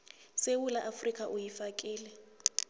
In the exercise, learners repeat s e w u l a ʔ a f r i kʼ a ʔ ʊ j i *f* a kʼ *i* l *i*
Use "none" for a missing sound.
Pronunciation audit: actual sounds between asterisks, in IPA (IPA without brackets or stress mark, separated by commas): f, iː, ɛ